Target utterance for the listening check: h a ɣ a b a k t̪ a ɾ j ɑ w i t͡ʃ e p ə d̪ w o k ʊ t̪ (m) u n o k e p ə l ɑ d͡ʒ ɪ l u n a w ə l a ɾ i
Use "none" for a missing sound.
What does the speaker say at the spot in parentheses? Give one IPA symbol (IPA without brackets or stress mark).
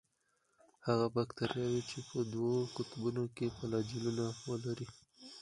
b